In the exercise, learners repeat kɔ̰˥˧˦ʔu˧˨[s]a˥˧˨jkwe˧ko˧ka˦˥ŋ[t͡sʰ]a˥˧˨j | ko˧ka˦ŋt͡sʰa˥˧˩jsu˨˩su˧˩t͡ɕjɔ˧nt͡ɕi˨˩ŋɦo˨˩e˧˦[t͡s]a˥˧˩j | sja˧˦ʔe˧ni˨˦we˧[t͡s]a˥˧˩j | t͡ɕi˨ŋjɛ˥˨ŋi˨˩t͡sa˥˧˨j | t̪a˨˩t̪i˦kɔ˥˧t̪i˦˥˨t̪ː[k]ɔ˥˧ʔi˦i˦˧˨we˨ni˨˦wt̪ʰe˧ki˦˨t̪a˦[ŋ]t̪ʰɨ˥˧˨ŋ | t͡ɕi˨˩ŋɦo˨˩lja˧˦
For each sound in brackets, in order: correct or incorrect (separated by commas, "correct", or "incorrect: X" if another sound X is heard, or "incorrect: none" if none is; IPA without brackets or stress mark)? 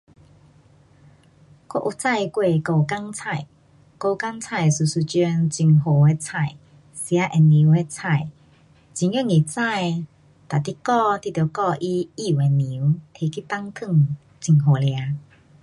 incorrect: t͡s, correct, incorrect: t͡sʰ, incorrect: t͡sʰ, correct, correct